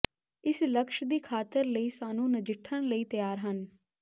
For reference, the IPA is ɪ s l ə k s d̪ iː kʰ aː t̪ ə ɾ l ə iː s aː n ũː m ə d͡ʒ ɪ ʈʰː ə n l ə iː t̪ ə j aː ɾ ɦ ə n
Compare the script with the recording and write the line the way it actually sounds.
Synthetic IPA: ɪ s l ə k ʃ d̪ iː kʰ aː t̪ ə ɾ l ə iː s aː n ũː n ə d͡ʒ ɪ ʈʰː ə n l ə iː t̪ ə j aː ɾ ɦ ə n